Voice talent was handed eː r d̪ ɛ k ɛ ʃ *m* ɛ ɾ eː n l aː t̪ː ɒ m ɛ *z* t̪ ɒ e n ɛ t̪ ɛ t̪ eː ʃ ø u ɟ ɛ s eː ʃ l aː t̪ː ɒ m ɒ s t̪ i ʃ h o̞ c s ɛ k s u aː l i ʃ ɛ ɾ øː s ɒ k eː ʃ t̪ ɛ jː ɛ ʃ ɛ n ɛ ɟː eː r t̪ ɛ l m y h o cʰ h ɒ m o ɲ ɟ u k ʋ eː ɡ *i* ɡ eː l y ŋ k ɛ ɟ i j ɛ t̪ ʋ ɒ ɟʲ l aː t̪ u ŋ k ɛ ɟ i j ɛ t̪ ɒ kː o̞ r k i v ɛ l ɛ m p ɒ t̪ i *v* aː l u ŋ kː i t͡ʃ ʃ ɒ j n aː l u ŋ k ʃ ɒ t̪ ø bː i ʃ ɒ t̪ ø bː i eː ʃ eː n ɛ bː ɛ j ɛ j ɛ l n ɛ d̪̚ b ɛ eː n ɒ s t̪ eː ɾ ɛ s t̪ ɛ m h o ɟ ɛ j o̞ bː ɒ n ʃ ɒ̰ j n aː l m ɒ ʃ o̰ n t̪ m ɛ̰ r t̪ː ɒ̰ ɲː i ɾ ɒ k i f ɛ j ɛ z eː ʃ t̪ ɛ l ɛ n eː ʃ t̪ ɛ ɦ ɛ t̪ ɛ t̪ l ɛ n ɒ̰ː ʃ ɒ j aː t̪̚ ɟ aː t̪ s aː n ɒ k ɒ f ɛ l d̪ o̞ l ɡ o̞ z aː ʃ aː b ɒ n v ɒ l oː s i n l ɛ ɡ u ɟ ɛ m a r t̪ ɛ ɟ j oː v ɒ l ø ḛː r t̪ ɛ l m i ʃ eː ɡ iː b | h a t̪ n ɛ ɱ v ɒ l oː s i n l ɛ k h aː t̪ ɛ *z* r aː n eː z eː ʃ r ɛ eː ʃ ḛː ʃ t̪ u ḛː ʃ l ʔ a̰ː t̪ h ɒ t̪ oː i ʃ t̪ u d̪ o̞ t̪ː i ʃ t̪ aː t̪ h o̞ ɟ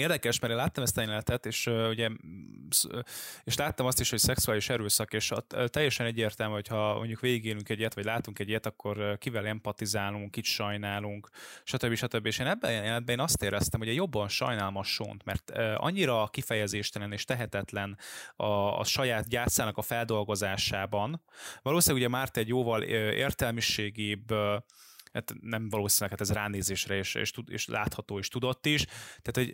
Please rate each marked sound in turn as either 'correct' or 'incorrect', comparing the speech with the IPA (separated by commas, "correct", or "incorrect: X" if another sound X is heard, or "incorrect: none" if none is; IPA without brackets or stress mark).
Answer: correct, incorrect: s, correct, incorrect: z, correct